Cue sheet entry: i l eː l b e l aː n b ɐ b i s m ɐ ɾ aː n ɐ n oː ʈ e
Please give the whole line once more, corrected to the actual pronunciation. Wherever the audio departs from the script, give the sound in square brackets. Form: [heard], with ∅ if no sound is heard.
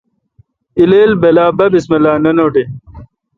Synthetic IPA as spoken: i l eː l b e l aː [∅] b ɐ b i s m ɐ [l] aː n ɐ n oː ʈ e